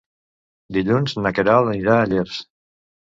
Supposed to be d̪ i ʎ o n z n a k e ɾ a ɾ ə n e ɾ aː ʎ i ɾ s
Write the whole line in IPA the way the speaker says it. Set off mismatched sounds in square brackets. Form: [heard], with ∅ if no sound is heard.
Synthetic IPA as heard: d̪ i ʎ [u] n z n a k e ɾ a [l] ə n [i] ɾ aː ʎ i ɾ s